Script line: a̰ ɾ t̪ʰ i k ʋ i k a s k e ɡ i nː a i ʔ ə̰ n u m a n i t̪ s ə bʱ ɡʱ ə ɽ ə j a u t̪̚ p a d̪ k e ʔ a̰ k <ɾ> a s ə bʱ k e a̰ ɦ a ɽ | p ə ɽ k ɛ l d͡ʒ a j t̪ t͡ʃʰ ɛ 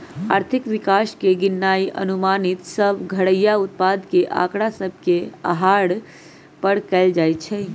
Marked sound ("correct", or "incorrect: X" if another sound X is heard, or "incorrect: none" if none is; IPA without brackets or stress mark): incorrect: ɽ